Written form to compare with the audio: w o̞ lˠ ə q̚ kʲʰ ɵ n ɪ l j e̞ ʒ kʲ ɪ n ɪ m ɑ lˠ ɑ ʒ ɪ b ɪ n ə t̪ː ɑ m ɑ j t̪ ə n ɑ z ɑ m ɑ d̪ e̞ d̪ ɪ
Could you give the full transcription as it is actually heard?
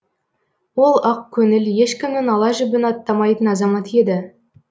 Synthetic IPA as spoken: w o̞ lˠ ɑ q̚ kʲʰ ɵ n ɪ l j e̞ ʃ kʲ ɪ m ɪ n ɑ lˠ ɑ ʒ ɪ b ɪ n ɑ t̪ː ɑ m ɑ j t̪ ə n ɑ z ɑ m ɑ t̪ e̞ d̪ ɪ